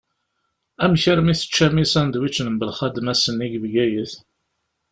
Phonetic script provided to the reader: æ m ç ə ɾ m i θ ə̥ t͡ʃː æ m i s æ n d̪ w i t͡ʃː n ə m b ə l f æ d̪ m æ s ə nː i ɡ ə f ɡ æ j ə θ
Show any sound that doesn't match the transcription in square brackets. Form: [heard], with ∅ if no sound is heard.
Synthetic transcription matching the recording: æ m ç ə ɾ m i θ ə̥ t͡ʃː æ m i s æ n d̪ w i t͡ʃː n ə m b ə l [χ] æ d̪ m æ s ə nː i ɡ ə [v] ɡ æ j ə θ